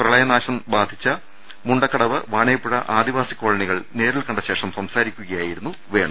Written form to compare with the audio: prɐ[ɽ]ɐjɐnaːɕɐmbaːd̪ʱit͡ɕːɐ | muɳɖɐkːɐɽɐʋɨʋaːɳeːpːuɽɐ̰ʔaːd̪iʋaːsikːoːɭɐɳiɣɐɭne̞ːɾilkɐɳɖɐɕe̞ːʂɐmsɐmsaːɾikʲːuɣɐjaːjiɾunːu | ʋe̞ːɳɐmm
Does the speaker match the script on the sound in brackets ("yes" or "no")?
no